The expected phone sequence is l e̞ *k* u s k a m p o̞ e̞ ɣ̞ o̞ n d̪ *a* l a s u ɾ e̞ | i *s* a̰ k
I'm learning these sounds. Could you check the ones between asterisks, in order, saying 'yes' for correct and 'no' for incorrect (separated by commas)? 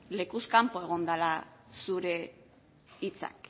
yes, yes, no